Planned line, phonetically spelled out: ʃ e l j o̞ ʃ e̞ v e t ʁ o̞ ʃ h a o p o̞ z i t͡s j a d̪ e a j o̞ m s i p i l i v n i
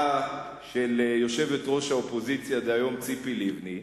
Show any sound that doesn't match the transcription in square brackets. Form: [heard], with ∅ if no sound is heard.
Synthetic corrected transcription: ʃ e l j o̞ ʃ e̞ v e t ʁ o̞ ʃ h a o p o̞ z i t͡s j a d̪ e a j o̞ m [t͡s] i p i l i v n i